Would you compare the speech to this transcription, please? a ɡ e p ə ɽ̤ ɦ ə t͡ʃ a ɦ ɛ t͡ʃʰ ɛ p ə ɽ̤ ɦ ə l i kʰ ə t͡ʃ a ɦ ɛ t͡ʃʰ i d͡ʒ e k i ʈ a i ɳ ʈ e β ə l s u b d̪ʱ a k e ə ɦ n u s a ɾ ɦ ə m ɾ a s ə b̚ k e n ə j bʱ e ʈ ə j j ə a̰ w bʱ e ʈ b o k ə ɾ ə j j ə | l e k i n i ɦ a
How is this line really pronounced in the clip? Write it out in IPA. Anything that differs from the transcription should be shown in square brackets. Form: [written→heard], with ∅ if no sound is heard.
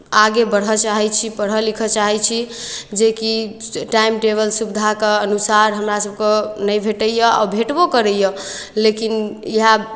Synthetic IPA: a ɡ e [p→b] ə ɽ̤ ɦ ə t͡ʃ a ɦ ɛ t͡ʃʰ [ɛ→i] p ə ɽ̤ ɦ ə l i kʰ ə t͡ʃ a ɦ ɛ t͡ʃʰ i d͡ʒ e k i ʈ a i [ɳ→m] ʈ e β ə l s u b d̪ʱ a k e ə [ɦ→∅] n u s a ɾ ɦ ə m ɾ a s ə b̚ k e n ə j bʱ e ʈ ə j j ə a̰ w bʱ e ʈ b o k ə ɾ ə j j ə | l e k i n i ɦ a